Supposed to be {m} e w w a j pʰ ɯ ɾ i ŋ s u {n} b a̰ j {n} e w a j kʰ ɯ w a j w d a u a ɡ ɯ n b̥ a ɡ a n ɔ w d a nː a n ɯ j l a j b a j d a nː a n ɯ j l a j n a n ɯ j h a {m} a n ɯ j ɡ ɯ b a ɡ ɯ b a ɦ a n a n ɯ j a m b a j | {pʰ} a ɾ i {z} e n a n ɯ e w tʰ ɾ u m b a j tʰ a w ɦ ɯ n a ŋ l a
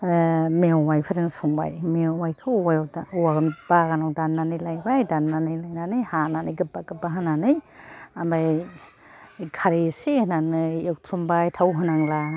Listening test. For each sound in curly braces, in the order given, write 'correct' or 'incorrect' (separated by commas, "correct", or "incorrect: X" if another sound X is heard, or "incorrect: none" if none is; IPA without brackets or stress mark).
correct, incorrect: ŋ, incorrect: m, incorrect: n, incorrect: kʰ, incorrect: s